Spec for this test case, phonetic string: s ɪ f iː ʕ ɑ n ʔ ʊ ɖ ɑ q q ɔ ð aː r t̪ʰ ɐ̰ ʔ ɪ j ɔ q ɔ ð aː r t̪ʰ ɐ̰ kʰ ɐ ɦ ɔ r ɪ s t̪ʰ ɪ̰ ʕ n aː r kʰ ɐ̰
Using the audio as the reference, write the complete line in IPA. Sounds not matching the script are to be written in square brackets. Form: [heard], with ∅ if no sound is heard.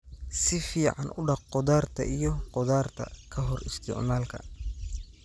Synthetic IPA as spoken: s ɪ f iː ʕ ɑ n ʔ ʊ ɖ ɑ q q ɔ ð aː r t̪ʰ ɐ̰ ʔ [i] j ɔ q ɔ ð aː r t̪ʰ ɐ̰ kʰ ɐ ɦ ɔ r ɪ s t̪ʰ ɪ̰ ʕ n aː [l] kʰ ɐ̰